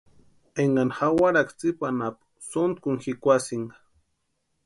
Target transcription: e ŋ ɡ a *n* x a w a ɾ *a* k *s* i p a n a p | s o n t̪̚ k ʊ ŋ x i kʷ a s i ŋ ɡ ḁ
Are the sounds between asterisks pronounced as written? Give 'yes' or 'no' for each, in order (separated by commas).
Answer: yes, yes, no